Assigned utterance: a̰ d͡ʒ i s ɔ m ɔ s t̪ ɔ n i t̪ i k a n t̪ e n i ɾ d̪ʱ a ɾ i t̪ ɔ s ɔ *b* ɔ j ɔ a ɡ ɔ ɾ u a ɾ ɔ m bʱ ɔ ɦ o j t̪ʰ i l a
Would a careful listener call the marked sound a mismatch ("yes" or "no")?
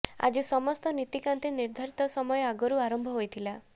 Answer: yes